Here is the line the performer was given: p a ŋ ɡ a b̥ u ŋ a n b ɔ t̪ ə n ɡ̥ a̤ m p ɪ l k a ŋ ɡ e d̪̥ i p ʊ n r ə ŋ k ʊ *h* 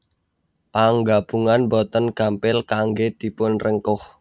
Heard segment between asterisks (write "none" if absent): h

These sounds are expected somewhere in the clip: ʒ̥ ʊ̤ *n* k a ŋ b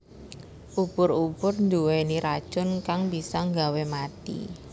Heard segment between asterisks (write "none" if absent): n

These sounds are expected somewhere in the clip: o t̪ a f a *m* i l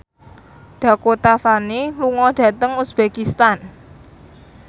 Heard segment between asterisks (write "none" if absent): n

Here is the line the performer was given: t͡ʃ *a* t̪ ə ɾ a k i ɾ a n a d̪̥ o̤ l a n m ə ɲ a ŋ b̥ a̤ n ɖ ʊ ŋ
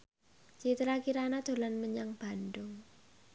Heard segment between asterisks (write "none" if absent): i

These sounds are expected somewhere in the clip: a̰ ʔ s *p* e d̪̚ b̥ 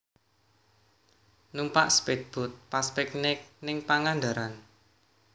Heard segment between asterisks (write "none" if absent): p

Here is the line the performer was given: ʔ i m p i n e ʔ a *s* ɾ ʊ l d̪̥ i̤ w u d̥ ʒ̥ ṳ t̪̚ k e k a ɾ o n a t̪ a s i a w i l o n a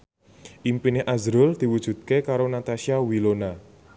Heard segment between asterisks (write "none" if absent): z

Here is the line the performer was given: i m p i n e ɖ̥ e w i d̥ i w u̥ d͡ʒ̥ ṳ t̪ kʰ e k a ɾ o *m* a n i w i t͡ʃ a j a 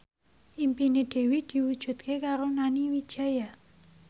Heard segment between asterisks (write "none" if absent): n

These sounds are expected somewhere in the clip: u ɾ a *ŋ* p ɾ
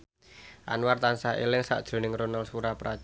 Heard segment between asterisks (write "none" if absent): none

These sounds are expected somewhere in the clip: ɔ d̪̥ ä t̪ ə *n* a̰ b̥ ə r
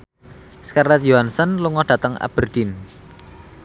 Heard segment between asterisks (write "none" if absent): ŋ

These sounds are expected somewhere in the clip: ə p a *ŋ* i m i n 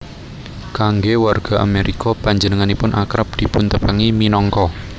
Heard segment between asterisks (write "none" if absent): ŋ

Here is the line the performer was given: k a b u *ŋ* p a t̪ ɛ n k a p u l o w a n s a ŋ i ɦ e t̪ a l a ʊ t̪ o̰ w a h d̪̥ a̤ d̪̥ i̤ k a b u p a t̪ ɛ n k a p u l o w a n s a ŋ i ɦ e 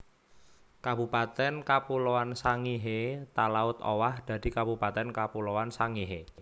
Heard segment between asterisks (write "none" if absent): none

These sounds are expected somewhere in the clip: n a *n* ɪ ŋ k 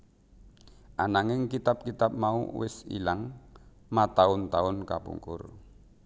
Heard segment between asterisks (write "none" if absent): ŋ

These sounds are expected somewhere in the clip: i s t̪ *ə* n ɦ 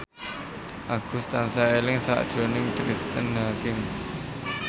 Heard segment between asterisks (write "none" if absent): ə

